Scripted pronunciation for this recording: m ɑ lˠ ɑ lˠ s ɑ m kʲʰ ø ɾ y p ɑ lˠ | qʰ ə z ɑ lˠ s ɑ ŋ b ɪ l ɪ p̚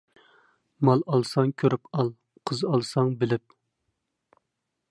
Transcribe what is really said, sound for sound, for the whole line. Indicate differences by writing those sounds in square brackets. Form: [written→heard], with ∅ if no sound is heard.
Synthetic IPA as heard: m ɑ lˠ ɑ lˠ s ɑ [m→ŋ] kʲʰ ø ɾ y p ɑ lˠ | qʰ ə z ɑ lˠ s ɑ ŋ b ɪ l ɪ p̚

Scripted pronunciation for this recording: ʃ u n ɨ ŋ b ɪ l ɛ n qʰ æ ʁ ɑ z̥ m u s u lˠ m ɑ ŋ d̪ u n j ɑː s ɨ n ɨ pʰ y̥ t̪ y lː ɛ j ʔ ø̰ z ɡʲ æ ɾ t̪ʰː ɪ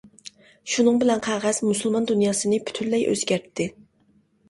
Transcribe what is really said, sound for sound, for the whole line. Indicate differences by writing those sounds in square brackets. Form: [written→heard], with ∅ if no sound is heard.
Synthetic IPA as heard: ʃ u n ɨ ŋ b ɪ l ɛ n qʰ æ ʁ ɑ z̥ m u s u lˠ m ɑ [ŋ→n] d̪ u n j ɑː s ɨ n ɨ pʰ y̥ [t̪→t̪ʰ] y lː ɛ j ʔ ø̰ z ɡʲ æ ɾ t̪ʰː ɪ

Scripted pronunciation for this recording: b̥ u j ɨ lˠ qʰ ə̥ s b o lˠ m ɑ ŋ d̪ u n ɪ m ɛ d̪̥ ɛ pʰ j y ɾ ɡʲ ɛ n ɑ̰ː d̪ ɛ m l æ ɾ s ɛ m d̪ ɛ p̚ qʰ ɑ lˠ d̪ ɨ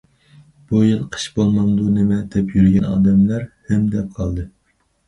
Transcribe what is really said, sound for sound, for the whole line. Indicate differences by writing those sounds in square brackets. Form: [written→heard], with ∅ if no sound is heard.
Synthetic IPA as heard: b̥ u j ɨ lˠ qʰ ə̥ [s→ʃ] b o lˠ m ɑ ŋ d̪ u n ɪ m ɛ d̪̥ ɛ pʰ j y ɾ ɡʲ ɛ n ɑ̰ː d̪ ɛ m l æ ɾ [s→h] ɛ m d̪ ɛ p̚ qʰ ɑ lˠ d̪ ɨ

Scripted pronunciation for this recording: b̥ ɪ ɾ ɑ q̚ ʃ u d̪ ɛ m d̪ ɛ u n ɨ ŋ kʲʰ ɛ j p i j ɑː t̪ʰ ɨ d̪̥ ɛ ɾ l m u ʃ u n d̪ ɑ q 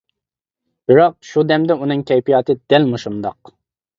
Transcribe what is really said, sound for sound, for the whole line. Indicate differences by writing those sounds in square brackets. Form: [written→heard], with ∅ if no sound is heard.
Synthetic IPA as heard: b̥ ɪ ɾ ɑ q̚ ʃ u d̪ ɛ m d̪ ɛ u n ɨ ŋ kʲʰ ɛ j p i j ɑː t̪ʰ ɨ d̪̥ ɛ [ɾ→∅] l m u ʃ u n d̪ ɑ q

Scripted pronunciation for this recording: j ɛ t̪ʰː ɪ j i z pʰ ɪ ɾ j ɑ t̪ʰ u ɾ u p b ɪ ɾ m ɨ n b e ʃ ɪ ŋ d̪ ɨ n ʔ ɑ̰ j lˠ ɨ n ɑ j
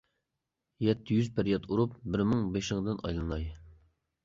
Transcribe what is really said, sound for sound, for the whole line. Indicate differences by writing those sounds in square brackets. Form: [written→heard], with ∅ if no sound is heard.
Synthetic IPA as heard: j ɛ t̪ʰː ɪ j [i→y] z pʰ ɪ ɾ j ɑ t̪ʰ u ɾ u p b ɪ ɾ m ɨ [n→ŋ] b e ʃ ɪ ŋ d̪ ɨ n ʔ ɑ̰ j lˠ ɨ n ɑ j

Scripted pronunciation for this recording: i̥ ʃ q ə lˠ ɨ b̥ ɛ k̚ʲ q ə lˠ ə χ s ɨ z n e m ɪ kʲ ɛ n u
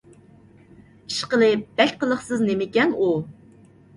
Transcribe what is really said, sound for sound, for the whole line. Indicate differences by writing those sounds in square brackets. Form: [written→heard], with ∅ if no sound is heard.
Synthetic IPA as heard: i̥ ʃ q ə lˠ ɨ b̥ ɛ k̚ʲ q ə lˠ ə χ s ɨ z n e m ɪ kʲ ɛ n u

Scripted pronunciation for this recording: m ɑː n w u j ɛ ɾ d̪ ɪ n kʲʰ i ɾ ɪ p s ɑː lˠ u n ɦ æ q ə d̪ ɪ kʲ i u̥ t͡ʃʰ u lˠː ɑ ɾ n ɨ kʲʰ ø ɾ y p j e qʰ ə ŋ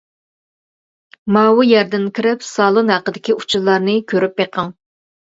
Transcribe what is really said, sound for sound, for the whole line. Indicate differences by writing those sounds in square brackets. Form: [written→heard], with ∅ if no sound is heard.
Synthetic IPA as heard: m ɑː [n→∅] w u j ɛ ɾ d̪ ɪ n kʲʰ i ɾ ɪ p s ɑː lˠ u n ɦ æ q ə d̪ ɪ kʲ i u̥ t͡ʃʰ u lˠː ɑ ɾ n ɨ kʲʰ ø ɾ y p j e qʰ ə ŋ

